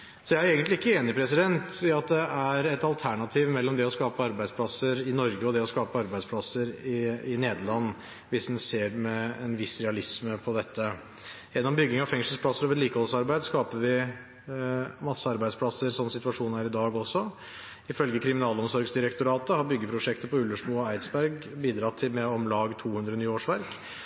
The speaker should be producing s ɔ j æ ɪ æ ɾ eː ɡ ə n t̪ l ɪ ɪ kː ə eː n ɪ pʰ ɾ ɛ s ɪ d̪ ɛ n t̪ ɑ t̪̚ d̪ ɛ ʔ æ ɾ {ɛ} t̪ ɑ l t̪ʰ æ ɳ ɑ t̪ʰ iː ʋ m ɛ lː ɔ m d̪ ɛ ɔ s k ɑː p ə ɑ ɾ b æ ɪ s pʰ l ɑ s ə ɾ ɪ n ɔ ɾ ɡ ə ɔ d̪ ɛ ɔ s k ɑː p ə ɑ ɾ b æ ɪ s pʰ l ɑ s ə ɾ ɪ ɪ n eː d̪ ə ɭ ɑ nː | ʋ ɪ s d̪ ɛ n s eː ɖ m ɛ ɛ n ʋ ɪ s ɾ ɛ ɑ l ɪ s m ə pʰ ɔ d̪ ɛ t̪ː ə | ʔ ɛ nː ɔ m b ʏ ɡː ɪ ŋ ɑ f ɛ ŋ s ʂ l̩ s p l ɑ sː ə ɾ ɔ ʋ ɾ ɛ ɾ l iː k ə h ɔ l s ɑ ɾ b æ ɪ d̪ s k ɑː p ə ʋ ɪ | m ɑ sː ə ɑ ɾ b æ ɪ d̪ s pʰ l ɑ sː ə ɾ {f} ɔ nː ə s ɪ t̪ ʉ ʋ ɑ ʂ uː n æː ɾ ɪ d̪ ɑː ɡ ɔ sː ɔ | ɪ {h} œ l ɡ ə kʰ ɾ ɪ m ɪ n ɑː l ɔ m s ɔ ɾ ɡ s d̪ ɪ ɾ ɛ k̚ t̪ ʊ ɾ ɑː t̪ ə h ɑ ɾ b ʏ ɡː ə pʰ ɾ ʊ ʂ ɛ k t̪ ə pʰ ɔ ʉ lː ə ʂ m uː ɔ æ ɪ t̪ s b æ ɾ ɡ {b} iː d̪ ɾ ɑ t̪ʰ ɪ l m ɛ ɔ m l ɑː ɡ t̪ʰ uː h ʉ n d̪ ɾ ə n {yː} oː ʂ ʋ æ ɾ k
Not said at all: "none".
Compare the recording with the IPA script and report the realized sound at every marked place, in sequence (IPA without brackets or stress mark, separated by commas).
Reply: ɛ, s, f, b, yː